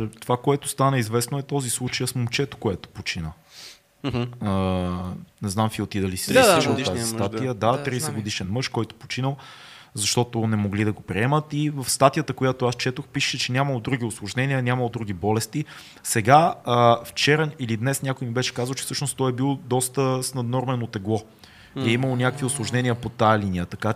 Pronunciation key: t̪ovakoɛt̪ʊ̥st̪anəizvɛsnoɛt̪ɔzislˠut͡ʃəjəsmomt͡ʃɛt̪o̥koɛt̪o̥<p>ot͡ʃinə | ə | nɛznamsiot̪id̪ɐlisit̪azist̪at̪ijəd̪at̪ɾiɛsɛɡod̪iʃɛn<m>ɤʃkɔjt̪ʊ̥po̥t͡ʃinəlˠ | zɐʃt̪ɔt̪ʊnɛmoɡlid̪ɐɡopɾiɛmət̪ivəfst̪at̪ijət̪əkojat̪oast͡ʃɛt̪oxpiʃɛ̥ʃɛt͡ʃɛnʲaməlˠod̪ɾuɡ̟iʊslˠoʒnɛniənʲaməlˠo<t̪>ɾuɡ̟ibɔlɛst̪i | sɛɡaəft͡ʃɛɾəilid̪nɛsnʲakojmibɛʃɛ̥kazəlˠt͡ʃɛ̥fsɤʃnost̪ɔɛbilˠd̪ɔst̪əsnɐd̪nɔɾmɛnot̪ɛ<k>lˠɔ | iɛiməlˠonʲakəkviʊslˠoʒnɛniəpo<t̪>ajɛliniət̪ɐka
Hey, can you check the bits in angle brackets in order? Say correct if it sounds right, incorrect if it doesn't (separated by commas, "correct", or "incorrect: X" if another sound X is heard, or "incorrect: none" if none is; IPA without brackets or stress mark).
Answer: correct, correct, incorrect: d̪, incorrect: ɡ, correct